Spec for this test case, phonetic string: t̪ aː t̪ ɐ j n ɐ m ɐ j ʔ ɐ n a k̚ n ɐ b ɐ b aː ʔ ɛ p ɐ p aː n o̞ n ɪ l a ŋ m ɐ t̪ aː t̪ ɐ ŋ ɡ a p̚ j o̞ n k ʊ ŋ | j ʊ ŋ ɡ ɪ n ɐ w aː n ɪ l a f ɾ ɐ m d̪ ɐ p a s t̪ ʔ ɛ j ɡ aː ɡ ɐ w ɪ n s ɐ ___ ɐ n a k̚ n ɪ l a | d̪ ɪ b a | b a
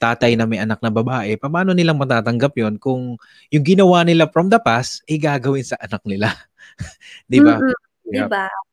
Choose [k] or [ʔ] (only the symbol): ʔ